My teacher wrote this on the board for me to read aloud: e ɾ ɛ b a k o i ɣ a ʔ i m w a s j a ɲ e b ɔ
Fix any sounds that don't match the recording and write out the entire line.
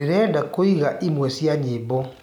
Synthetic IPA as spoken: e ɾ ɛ d a k o i ɣ a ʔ i m w ɛ s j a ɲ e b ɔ